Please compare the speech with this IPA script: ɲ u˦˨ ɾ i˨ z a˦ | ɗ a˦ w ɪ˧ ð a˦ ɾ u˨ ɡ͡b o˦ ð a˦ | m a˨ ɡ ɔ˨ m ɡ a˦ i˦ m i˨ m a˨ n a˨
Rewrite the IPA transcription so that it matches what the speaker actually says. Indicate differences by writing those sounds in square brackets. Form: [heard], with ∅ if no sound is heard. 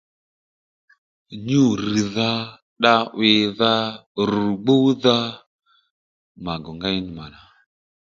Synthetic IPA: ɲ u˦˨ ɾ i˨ [ð] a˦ | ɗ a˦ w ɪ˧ ð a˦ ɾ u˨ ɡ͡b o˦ ð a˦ | m a˨ ɡ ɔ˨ [ŋ] ɡ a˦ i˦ [n] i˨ m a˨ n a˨